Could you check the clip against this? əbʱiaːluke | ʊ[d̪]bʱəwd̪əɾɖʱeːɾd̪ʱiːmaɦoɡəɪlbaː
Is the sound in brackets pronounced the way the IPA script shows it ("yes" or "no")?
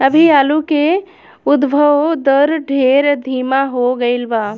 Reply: yes